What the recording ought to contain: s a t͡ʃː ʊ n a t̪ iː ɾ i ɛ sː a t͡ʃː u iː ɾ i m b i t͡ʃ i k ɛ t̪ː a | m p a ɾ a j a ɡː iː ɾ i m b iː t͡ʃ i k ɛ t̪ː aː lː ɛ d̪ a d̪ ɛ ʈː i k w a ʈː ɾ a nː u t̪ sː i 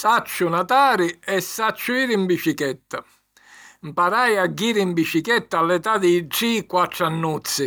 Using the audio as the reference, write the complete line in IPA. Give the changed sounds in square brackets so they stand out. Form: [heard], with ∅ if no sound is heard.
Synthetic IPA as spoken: s a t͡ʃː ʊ n a t̪ [aː] ɾ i ɛ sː a t͡ʃː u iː ɾ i m b i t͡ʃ i k ɛ t̪ː a | m p a ɾ a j a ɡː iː ɾ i m b [i] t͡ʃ i k ɛ t̪ː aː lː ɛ [t̪] a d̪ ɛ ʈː i k w a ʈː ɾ a nː u t̪ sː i